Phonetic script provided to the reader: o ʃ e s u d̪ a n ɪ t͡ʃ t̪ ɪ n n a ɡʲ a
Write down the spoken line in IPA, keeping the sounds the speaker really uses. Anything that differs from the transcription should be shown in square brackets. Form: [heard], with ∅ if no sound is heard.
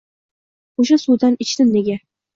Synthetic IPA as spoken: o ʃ [a] s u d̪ a n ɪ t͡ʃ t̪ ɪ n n [e] ɡʲ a